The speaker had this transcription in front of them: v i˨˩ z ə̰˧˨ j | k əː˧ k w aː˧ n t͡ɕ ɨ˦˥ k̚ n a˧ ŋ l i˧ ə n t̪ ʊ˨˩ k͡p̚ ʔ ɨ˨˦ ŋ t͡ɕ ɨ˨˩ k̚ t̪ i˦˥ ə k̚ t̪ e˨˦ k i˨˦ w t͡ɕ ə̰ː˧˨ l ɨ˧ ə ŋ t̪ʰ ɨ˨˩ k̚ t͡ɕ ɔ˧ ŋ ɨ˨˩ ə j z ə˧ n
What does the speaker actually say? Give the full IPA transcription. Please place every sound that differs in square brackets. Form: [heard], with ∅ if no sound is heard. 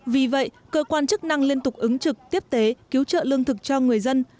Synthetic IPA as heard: v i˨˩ [v] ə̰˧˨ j | k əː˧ k w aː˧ n t͡ɕ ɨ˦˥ k̚ n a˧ ŋ l i˧ ə n t̪ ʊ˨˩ k͡p̚ ʔ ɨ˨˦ ŋ t͡ɕ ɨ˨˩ k̚ t̪ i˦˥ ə [p̚] t̪ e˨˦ k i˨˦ w t͡ɕ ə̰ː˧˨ l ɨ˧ ə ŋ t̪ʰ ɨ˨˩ k̚ t͡ɕ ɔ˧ ŋ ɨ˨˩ ə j z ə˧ n